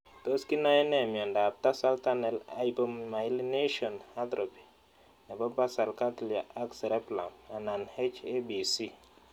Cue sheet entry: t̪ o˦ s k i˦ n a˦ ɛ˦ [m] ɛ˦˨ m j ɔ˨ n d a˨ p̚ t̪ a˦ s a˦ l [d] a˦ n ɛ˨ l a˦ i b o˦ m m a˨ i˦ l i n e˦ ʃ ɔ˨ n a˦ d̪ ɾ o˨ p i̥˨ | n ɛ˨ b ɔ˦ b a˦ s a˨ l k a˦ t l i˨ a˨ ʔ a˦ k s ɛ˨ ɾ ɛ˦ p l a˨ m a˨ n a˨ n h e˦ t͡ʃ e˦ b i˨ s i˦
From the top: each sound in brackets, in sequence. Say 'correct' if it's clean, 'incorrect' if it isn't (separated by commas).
incorrect, incorrect